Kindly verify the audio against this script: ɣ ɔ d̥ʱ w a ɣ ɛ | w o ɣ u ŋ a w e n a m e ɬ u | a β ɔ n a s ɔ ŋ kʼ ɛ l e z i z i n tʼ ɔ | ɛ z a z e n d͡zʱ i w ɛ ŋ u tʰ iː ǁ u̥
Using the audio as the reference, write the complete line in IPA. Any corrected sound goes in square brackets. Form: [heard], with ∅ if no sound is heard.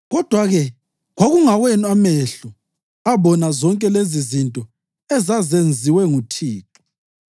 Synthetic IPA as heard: ɣ ɔ d̥ʱ w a ɣ ɛ | [ɣ] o ɣ u ŋ a w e n a m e ɬ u | a β ɔ n a [z] ɔ ŋ kʼ ɛ l e z i z i n tʼ ɔ | ɛ z a z e n d͡zʱ i w ɛ ŋ u tʰ iː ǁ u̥